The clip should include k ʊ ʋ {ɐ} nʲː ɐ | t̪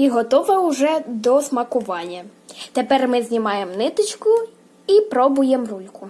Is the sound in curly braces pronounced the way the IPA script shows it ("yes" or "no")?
no